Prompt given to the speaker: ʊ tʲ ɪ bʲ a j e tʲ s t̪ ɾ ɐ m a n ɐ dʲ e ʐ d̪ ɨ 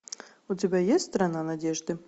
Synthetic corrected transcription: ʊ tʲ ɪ bʲ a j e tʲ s t̪ ɾ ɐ n a n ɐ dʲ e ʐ d̪ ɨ